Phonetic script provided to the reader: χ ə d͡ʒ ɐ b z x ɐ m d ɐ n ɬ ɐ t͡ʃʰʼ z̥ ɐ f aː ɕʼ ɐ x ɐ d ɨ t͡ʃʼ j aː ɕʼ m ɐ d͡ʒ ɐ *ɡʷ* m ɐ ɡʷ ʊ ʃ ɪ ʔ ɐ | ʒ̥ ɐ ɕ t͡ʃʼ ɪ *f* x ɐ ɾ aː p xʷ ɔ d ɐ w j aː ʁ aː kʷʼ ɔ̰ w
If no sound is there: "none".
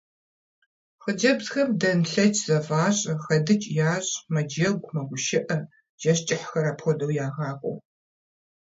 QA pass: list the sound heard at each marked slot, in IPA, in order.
ɡʷ, ħ

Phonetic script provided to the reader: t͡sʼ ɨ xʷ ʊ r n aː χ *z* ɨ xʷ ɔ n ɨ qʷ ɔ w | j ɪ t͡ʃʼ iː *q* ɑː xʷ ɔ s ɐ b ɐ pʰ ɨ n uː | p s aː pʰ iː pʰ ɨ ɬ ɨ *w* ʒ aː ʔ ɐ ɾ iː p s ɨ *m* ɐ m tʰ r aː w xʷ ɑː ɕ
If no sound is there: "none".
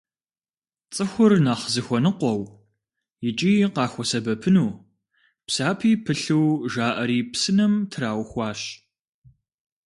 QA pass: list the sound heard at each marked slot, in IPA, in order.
z, q, w, n

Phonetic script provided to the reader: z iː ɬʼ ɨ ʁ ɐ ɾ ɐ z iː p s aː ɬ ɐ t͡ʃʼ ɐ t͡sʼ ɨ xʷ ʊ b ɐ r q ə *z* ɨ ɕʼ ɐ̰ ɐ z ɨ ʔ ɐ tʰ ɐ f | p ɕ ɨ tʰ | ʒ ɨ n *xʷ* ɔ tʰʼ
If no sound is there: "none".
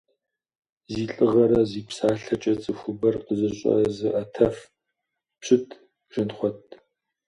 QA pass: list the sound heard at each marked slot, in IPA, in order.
z, χʷ

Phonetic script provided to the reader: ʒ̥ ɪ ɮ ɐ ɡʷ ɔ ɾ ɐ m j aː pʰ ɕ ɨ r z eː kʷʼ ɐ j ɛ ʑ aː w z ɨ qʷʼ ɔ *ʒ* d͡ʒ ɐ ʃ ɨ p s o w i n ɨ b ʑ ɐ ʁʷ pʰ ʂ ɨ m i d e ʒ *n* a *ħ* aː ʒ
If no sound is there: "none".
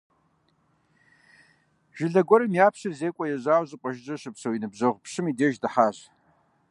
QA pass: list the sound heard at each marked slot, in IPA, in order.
ʒ, d, ħ

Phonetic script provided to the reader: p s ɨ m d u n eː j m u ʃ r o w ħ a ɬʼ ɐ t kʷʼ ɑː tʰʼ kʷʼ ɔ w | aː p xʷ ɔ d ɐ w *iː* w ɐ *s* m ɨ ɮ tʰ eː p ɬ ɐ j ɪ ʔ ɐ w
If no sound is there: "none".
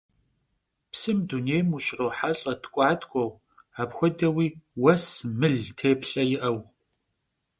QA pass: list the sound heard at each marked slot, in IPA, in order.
iː, s

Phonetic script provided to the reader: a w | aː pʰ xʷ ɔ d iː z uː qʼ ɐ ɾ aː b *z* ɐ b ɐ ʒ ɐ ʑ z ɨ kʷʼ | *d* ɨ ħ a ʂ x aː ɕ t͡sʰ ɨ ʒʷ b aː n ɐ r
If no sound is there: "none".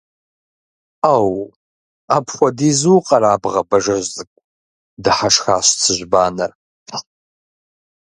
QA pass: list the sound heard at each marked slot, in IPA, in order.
ʁ, d

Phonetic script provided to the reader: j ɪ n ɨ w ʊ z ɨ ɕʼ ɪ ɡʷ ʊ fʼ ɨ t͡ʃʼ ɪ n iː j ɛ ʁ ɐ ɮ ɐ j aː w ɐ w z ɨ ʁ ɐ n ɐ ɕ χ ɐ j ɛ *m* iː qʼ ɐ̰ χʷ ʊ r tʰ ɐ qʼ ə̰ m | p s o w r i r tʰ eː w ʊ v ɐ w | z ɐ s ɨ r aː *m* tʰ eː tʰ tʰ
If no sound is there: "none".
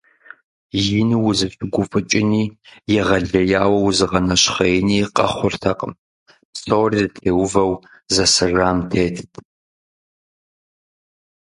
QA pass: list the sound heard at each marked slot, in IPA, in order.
n, m

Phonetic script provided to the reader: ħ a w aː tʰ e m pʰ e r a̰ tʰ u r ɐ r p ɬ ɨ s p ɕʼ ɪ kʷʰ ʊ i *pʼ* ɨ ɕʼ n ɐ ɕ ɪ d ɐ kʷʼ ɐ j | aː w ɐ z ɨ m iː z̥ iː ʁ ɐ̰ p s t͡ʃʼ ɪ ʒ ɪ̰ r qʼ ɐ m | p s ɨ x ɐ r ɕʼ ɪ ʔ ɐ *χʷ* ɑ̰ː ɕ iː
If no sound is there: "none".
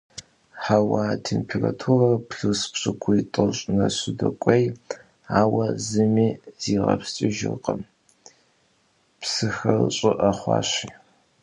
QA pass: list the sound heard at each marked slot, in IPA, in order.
tʼ, χʷ

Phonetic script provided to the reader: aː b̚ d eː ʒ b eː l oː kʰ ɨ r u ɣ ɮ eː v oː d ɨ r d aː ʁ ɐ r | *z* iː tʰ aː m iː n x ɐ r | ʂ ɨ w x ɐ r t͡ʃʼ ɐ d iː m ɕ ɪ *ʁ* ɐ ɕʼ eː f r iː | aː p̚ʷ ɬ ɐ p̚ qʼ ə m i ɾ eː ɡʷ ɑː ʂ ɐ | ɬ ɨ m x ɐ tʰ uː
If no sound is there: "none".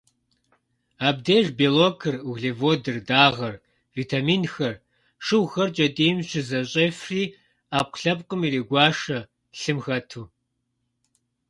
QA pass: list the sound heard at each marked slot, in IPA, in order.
v, z

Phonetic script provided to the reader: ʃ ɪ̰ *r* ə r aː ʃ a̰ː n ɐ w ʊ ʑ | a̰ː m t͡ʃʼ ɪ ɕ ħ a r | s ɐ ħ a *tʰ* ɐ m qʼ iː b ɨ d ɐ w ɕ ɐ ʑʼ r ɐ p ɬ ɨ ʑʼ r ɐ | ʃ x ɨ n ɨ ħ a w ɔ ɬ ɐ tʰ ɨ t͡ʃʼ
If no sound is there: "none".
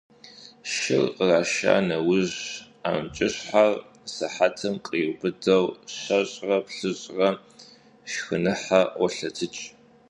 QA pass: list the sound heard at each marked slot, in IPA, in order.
r, tʰ

